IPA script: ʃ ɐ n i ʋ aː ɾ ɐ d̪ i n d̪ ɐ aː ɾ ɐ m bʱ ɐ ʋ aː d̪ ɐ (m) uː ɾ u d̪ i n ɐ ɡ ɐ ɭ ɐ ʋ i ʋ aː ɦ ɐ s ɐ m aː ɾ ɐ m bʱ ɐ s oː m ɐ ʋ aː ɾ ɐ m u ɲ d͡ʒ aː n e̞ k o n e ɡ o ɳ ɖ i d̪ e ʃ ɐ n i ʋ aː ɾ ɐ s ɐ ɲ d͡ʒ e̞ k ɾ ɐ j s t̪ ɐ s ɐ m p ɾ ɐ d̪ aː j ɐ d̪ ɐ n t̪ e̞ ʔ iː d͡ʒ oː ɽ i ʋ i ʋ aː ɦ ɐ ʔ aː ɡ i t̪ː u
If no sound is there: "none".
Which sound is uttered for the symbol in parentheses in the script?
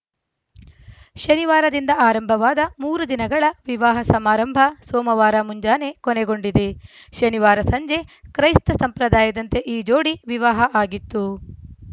m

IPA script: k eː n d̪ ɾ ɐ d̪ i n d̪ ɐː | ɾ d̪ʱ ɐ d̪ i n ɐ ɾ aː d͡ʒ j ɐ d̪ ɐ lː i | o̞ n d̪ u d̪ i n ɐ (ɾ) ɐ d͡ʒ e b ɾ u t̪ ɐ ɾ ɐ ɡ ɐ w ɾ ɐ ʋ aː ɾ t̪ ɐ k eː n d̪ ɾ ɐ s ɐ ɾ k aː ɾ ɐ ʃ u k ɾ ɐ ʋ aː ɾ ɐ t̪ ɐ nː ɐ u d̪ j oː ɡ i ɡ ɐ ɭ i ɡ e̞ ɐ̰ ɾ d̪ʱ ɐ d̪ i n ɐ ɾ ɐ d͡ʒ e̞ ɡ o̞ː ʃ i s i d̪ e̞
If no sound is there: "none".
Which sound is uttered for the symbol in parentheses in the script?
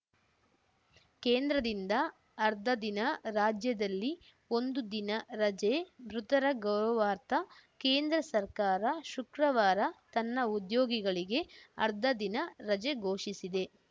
ɾ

